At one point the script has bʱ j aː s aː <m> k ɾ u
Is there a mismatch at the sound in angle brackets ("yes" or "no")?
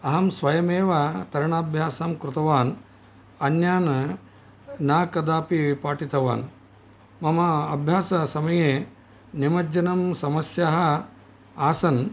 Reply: no